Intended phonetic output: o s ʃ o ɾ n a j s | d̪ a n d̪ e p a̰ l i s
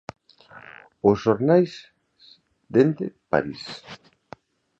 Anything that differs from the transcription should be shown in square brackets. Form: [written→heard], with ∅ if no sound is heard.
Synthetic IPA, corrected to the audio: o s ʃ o ɾ n a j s | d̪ [a→e] n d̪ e p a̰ [l→ɾ] i s